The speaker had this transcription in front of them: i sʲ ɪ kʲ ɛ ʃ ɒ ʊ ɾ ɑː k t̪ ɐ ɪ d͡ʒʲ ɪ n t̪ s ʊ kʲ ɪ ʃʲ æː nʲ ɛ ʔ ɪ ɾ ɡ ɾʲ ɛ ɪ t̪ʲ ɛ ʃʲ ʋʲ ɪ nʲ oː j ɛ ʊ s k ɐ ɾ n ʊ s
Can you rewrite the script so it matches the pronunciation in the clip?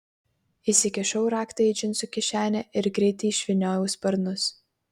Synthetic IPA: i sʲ ɪ kʲ ɛ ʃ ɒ ʊ ɾ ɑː k t̪ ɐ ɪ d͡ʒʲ ɪ n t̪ s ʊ kʲ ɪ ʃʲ æː nʲ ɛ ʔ ɪ ɾ ɡ ɾʲ ɛ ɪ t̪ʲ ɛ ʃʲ ʋʲ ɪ nʲ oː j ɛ ʊ s p ɐ ɾ n ʊ s